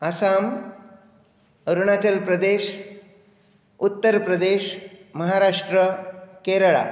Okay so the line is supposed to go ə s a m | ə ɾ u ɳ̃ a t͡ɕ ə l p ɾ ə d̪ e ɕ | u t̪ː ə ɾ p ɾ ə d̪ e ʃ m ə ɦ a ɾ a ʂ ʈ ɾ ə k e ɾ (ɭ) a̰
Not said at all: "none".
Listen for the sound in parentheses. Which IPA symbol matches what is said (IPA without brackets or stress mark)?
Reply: ɭ